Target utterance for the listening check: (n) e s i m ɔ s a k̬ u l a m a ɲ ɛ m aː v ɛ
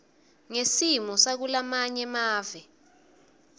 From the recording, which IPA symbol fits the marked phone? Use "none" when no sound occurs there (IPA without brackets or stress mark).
ŋ